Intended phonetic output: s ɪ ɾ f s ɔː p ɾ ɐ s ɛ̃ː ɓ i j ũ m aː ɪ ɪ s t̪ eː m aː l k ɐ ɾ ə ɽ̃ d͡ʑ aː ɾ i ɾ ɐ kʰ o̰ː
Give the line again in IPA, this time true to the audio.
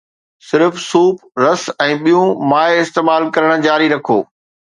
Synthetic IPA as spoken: s ɪ ɾ f s uː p ɾ ɐ s ɛ̃ː ɓ i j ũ m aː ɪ ɪ s t̪ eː m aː l k ɐ ɾ ə ɽ̃ d͡ʑ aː ɾ i ɾ ɐ kʰ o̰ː